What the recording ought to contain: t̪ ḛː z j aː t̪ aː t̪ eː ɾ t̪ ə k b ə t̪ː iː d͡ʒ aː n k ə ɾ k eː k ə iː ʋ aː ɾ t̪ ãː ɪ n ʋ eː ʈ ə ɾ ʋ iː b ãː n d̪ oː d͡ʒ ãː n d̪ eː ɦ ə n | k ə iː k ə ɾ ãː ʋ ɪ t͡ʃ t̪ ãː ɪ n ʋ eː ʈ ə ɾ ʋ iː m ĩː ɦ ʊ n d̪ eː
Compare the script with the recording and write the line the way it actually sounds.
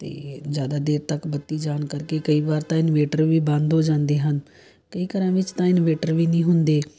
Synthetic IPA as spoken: t̪ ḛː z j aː d̪ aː d̪ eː ɾ t̪ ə k b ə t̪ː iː d͡ʒ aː n k ə ɾ k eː k ə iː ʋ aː ɾ t̪ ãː ɪ n ʋ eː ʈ ə ɾ ʋ iː b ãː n d̪ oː d͡ʒ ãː n d̪ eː ɦ ə n | k ə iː k ə ɾ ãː ʋ ɪ t͡ʃ t̪ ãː ɪ n ʋ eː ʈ ə ɾ ʋ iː n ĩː ɦ ʊ n d̪ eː